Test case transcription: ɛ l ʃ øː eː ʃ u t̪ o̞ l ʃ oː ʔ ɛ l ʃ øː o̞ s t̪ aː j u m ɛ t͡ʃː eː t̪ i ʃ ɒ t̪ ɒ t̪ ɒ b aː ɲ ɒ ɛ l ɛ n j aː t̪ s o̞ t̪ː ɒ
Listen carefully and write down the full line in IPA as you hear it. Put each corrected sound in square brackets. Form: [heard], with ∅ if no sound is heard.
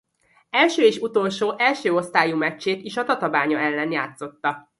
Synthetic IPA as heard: ɛ l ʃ øː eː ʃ u t̪ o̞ l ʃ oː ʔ ɛ l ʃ øː o̞ s t̪ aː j u m ɛ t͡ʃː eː t̪ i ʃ ɒ t̪ ɒ t̪ ɒ b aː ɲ ɒ ɛ [lː] ɛ n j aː t̪ s o̞ t̪ː ɒ